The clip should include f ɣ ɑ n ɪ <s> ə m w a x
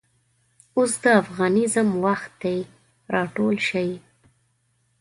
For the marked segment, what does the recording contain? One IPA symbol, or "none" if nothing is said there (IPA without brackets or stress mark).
z